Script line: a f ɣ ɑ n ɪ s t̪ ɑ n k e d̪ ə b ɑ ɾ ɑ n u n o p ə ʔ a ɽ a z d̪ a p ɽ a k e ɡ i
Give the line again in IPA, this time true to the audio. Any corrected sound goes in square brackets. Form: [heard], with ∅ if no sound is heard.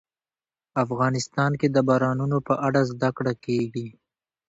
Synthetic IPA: a f ɣ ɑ n ɪ s t̪ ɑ n k e d̪ ə b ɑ ɾ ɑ n u n o p ə ʔ a ɽ a z d̪ a [k] ɽ a k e ɡ i

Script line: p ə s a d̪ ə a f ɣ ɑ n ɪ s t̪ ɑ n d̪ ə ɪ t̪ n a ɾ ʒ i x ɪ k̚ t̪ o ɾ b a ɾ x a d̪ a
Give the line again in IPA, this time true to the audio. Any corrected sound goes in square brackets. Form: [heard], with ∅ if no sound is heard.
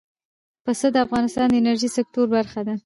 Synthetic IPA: p ə s [ə] d̪ ə a f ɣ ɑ n ɪ s t̪ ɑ n d̪ ə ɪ [∅] n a ɾ ʒ i [s] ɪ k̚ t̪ o ɾ b a ɾ x a d̪ a

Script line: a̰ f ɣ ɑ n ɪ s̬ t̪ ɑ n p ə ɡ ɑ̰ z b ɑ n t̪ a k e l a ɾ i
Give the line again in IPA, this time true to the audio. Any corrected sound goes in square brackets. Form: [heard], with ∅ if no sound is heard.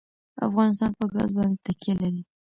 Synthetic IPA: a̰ f ɣ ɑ n ɪ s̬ t̪ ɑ n p ə ɡ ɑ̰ z b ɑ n t̪ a k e l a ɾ i

